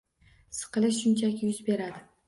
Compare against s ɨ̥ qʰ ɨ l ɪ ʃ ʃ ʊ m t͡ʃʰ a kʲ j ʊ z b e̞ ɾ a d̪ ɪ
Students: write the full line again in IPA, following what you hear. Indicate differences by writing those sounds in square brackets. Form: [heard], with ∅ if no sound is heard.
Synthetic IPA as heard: s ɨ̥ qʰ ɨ l ɪ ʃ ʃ ʊ [n] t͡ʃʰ a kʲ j ʊ z b e̞ ɾ a d̪ ɪ